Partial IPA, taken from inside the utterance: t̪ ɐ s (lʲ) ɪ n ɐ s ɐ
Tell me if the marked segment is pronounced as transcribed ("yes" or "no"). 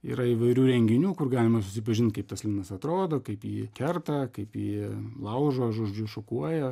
yes